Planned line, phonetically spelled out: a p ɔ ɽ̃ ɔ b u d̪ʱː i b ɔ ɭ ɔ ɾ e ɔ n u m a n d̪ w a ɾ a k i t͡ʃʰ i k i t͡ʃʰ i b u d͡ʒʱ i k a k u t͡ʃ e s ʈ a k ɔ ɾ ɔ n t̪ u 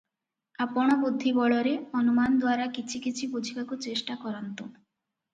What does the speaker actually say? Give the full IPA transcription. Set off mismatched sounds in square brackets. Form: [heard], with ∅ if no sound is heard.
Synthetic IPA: a p ɔ ɽ̃ ɔ b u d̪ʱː i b ɔ ɭ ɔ ɾ e ɔ n u m a n d̪ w a ɾ a k i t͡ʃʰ i k i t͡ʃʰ i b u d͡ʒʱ i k a k u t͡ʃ e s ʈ a k ɔ ɾ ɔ n t̪ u